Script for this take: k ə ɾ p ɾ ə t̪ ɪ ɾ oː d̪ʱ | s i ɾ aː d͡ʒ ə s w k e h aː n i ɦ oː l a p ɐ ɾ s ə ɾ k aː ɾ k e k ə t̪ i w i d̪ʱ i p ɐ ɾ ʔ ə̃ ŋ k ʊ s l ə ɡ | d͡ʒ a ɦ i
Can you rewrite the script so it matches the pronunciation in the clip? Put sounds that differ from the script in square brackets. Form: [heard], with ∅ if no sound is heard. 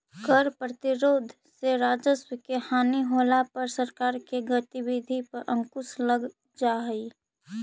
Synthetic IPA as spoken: k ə ɾ p ɾ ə t̪ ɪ ɾ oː d̪ʱ | s [e] ɾ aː d͡ʒ ə s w k e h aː n i ɦ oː l a p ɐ ɾ s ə ɾ k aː ɾ k e [ɡ] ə t̪ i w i d̪ʱ i p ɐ ɾ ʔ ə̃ ŋ k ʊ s l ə ɡ | d͡ʒ a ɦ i